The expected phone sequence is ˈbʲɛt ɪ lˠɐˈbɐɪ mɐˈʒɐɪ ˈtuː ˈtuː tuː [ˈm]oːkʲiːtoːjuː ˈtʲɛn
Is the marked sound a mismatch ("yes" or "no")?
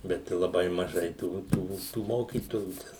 no